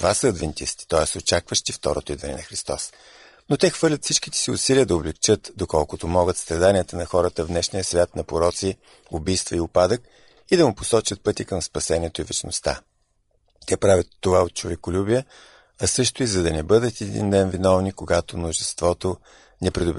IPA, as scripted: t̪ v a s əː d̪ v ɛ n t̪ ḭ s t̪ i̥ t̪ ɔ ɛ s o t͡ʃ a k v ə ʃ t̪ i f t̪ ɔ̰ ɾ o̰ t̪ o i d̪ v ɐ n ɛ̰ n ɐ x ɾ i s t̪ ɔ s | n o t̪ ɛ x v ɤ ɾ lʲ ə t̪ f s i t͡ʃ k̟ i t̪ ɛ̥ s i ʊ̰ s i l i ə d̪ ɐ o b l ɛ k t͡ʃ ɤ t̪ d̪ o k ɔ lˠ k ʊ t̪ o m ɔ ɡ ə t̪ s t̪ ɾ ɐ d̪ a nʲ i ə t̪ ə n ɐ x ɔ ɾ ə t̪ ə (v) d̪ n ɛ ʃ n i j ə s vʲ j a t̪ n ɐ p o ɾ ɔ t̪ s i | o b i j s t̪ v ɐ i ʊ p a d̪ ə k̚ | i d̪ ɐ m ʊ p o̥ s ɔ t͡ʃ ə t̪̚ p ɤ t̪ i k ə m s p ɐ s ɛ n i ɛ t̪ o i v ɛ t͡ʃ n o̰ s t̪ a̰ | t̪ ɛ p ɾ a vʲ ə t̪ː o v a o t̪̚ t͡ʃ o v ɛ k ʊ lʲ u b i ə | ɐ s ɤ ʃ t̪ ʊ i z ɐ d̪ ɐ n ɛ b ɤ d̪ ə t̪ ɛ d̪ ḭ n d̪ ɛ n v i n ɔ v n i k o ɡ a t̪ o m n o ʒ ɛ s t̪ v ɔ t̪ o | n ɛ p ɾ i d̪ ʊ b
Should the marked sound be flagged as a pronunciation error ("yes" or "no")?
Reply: no